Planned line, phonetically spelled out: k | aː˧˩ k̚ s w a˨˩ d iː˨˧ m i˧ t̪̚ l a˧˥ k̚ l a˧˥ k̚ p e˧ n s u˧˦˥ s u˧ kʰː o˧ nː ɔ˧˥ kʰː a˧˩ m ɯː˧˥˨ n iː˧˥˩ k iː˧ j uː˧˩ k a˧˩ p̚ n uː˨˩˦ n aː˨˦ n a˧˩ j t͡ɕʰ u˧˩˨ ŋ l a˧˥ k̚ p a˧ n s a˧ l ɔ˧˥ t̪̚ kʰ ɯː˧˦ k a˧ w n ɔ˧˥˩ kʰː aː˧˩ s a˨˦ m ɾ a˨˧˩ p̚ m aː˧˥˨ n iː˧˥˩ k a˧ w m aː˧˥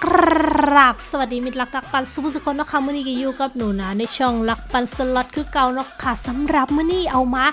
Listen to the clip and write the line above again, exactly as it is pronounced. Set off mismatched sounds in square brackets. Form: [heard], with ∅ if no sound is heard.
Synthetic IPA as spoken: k | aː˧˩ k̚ s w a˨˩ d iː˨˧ m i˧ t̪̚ l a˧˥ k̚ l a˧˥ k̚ p [a˧] n s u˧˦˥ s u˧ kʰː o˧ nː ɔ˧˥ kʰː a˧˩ m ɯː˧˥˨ n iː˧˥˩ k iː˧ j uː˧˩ k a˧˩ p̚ n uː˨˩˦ n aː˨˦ n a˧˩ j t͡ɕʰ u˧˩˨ ŋ l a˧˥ k̚ p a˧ n s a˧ l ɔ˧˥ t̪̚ kʰ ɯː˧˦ k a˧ w n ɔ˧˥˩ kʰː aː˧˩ s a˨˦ m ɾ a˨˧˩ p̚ m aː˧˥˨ n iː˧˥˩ [ʔ] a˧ w m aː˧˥